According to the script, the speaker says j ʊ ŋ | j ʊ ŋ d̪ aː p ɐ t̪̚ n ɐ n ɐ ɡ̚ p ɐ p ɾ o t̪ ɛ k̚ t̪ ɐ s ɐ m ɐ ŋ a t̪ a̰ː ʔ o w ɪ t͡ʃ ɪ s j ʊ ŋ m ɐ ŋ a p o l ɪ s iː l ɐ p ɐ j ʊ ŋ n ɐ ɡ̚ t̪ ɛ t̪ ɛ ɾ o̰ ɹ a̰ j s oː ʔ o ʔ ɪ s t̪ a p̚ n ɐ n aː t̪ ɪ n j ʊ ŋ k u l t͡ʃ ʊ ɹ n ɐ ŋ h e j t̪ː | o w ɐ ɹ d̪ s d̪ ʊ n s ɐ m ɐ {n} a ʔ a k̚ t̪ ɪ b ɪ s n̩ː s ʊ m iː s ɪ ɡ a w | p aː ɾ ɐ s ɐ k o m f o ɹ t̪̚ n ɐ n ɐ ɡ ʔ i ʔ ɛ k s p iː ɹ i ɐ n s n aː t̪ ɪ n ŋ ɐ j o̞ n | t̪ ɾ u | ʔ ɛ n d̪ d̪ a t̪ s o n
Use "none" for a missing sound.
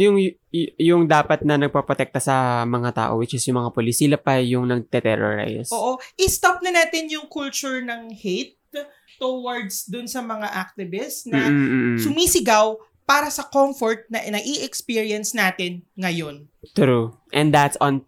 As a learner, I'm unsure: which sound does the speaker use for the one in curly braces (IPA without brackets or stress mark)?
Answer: ŋ